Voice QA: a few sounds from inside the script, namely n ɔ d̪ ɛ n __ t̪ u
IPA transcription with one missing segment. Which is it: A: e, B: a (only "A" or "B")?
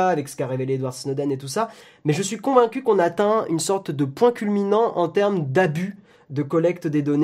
A